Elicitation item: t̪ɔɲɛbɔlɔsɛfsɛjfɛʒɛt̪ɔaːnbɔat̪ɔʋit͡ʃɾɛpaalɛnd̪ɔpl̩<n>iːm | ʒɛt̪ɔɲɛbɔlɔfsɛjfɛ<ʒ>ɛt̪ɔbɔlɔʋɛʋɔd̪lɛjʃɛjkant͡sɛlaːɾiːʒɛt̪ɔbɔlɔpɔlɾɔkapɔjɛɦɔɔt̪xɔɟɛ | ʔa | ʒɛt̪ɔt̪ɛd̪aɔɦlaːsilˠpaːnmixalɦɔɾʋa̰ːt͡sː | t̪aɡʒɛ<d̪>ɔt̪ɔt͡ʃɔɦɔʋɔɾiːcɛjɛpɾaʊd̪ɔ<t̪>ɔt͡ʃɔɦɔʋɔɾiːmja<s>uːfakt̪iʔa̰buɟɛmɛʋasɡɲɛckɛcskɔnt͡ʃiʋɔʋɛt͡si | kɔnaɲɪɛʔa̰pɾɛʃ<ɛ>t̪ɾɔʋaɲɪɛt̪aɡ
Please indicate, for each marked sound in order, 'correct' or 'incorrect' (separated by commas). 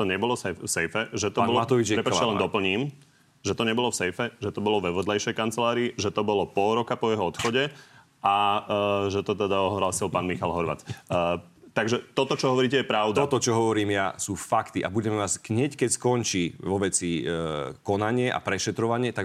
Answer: incorrect, correct, incorrect, correct, correct, correct